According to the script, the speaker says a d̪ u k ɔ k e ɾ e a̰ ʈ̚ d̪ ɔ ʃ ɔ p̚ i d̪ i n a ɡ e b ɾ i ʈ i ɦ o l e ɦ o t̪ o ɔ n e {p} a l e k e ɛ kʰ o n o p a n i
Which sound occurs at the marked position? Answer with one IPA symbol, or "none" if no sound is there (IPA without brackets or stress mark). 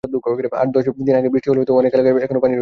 k